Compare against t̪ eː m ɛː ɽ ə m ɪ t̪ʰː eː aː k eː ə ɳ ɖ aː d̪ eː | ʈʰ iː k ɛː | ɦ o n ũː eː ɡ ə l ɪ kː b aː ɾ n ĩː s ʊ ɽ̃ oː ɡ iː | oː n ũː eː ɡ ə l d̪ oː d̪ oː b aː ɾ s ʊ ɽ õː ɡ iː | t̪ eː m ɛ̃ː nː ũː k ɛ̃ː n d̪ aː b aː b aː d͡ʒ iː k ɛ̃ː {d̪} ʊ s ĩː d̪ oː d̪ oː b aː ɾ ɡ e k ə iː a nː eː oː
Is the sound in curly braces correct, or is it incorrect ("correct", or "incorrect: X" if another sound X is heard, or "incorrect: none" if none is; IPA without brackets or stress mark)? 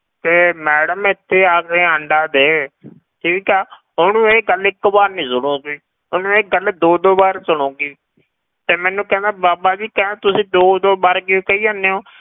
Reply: incorrect: t̪